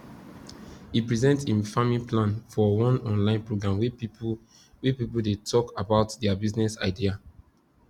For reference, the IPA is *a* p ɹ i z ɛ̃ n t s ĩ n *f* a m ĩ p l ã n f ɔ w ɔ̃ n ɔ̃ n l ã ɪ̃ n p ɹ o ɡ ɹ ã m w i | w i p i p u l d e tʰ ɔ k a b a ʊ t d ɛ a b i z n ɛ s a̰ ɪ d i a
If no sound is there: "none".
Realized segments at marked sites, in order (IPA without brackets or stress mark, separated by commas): i, f